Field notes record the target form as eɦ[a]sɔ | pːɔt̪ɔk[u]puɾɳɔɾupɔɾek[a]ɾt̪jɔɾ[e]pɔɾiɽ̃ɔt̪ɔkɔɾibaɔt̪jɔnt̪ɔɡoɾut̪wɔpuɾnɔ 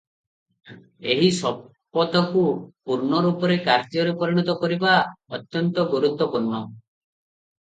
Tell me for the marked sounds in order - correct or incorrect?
incorrect: i, correct, correct, correct

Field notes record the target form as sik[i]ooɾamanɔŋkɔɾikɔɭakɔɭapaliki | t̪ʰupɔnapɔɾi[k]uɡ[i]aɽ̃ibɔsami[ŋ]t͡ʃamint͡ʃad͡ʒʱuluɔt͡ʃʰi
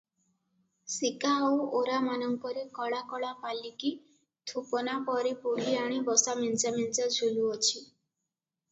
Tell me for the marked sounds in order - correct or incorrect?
incorrect: a, incorrect: p, correct, incorrect: n

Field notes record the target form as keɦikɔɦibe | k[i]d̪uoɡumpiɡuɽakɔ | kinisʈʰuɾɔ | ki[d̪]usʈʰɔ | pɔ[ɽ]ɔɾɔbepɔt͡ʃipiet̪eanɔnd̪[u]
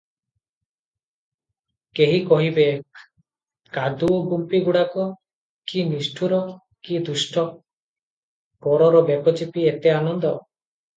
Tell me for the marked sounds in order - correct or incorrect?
incorrect: a, correct, incorrect: ɾ, incorrect: ɔ

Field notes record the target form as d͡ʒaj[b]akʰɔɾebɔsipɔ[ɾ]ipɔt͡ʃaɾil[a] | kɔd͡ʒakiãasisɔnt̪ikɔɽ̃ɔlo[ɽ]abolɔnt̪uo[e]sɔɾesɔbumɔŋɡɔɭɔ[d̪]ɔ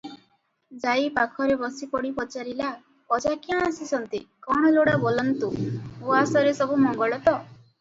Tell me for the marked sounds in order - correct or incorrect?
incorrect: p, incorrect: ɽ, correct, correct, incorrect: a, incorrect: t̪

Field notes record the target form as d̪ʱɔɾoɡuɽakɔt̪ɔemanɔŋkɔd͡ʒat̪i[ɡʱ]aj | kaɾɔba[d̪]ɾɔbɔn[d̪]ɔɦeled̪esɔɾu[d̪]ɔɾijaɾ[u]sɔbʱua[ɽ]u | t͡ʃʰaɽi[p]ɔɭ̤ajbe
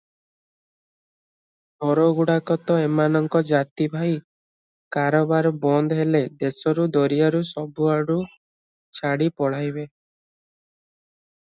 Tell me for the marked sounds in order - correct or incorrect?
incorrect: bʱ, incorrect: none, correct, correct, correct, correct, correct

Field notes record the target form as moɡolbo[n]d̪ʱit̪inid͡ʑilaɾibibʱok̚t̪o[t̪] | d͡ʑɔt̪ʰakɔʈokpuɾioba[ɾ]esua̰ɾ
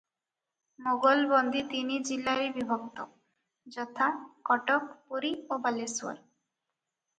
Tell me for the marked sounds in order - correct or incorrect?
correct, incorrect: none, incorrect: l

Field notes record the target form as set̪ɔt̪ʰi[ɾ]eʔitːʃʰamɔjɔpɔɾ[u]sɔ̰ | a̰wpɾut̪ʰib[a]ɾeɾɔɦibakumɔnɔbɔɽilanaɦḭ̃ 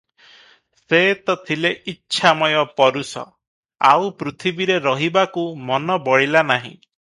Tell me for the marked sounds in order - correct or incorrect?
incorrect: l, correct, incorrect: i

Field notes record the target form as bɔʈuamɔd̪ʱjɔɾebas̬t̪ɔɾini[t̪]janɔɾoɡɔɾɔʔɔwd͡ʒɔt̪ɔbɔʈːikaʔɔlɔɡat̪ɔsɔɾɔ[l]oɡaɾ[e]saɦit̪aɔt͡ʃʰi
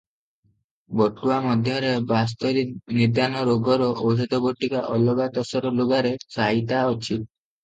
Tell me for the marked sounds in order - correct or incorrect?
incorrect: d̪, correct, correct

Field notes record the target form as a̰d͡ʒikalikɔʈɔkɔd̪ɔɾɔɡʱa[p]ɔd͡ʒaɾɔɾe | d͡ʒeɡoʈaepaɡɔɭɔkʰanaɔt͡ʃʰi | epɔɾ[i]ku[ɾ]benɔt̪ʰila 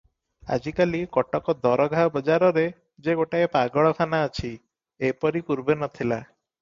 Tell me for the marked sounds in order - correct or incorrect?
incorrect: b, correct, correct

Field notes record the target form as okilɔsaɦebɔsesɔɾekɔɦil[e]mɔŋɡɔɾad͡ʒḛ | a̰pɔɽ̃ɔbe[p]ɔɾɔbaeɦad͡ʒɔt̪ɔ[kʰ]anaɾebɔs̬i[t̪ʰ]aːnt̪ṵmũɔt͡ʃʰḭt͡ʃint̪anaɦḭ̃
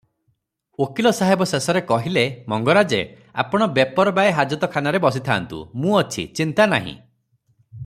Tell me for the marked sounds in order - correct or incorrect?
correct, correct, correct, correct

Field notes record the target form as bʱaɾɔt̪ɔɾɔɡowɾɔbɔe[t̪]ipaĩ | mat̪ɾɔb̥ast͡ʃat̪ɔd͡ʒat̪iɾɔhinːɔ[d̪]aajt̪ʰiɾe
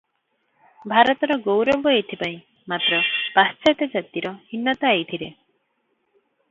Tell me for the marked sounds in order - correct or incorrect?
incorrect: t̪ʰ, incorrect: t̪

